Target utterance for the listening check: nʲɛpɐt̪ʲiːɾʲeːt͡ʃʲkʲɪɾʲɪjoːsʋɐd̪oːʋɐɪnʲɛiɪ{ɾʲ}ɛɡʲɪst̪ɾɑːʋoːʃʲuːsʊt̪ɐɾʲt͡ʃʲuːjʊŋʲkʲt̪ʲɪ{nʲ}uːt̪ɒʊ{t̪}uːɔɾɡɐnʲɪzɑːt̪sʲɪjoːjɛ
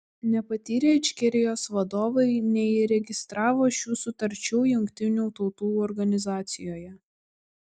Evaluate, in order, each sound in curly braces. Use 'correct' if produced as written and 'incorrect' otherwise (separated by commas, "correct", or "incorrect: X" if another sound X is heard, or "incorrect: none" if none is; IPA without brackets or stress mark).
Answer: correct, correct, correct